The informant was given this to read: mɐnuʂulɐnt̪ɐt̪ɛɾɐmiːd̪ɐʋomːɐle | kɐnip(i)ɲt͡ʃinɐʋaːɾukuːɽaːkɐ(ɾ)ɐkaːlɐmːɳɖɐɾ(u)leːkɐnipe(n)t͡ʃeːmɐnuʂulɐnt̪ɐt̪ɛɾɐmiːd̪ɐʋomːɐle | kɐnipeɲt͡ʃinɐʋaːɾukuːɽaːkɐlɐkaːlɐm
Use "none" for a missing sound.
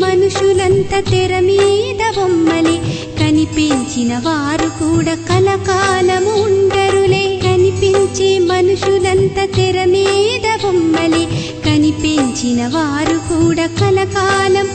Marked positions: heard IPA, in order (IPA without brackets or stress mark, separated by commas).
e, l, u, ɲ